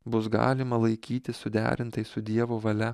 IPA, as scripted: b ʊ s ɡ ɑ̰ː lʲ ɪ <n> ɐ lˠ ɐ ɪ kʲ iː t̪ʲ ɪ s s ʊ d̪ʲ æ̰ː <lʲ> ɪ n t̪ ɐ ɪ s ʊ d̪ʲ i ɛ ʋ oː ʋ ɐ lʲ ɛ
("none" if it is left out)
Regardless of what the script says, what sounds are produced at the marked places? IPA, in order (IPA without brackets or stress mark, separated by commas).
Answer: m, ɾʲ